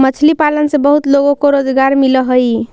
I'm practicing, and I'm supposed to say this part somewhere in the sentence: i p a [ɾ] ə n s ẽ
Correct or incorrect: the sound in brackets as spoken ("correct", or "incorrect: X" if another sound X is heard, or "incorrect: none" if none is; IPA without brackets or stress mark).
incorrect: l